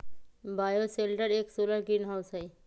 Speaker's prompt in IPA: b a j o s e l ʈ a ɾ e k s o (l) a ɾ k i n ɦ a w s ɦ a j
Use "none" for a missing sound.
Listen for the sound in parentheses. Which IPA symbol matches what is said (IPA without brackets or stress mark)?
l